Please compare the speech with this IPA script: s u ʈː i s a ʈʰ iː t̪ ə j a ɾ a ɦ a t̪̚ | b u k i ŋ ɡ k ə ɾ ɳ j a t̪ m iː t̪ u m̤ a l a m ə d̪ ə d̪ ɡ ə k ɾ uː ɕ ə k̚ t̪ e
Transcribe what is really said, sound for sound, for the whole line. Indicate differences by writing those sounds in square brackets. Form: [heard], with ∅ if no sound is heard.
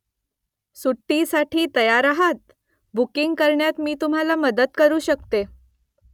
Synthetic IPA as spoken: s u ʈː i s a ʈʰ iː t̪ ə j a ɾ a ɦ a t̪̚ | b u k i ŋ ɡ k ə ɾ ɳ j a t̪ m iː t̪ u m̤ a l a m ə d̪ ə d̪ [k] ə [∅] ɾ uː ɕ ə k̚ t̪ e